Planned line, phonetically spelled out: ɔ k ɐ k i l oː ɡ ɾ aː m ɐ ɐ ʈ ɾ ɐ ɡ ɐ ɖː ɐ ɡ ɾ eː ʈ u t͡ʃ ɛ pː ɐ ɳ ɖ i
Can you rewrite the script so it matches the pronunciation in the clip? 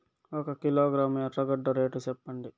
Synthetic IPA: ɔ k ɐ k i l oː ɡ ɾ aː m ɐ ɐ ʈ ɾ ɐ ɡ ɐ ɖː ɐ ɾ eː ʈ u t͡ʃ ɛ pː ɐ ɳ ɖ i